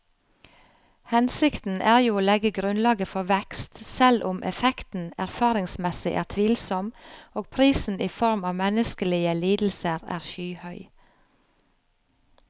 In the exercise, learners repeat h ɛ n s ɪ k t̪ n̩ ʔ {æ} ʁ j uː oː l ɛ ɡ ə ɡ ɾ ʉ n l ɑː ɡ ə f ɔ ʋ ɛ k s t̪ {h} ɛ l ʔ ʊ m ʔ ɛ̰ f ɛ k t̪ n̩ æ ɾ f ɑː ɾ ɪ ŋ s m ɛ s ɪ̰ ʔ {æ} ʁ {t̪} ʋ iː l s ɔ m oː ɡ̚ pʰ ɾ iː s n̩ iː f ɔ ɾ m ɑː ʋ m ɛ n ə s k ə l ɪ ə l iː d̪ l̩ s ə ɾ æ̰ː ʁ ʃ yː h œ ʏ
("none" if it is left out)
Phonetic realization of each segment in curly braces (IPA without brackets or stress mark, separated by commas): æː, s, æː, t̪ʰ